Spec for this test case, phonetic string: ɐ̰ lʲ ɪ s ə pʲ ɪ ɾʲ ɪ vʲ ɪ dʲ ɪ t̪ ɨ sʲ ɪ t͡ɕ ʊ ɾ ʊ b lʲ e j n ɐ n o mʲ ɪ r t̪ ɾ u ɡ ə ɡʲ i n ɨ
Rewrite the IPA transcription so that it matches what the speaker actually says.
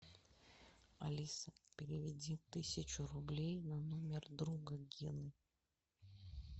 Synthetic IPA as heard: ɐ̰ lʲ i s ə pʲ ɪ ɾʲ ɪ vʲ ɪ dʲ i t̪ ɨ sʲ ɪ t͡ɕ ʊ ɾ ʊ b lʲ e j n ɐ n o mʲ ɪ r d̪ ɾ u ɡ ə ɡʲ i n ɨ